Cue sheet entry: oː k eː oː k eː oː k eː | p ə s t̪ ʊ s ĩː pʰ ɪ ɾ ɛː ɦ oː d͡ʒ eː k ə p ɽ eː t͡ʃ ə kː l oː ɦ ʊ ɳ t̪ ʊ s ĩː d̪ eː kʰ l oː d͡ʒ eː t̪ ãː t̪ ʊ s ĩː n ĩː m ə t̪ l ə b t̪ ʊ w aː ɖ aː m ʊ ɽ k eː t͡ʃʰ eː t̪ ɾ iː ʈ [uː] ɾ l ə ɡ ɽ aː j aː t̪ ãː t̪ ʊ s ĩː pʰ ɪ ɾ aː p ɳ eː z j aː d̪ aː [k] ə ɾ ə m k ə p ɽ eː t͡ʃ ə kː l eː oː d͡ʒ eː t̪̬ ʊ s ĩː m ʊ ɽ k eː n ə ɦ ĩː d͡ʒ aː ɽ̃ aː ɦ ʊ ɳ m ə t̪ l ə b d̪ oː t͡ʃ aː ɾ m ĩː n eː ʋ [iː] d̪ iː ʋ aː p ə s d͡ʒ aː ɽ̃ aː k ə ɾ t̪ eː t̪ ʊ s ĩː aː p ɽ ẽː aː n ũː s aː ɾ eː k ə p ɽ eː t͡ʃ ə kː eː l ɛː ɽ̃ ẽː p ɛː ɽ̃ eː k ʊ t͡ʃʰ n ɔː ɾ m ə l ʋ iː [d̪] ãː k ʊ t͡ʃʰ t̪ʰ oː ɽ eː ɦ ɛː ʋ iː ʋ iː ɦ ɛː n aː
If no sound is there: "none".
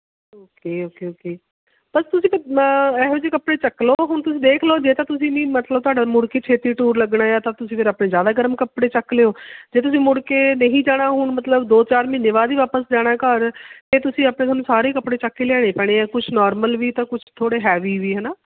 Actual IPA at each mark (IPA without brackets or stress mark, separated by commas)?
uː, ɡ, aː, t̪